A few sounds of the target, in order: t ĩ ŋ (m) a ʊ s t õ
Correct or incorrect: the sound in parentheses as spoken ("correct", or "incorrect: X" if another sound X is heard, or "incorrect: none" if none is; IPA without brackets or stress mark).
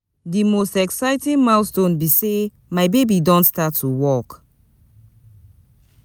correct